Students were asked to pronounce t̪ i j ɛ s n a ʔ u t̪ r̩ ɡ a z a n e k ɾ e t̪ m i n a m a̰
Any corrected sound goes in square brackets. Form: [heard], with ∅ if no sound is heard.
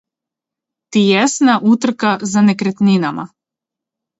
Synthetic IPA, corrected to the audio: t̪ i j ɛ s n a ʔ u t̪ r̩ [k] a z a n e k ɾ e t̪ [n] i n a m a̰